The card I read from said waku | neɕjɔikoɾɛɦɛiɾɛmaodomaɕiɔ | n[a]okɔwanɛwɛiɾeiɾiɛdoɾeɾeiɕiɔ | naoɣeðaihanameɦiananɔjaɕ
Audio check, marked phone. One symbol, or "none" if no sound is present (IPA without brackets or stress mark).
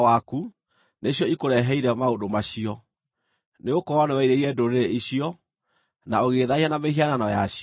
e